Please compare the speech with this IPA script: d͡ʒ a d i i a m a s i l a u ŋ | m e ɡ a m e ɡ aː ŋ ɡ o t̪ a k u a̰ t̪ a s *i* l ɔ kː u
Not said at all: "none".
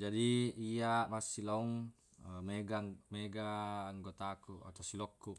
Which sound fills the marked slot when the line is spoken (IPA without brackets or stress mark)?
i